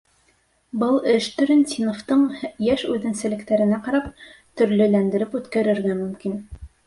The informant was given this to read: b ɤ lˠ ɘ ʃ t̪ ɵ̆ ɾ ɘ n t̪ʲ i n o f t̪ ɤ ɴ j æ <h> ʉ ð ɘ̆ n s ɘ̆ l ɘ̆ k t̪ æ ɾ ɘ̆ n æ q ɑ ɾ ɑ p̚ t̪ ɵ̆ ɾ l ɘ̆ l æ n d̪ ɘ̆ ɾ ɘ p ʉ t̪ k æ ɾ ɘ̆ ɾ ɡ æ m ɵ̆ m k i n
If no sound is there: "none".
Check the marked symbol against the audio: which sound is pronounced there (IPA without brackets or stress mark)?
ʃ